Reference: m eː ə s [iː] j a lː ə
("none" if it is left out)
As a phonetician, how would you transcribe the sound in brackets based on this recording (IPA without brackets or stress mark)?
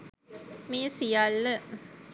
i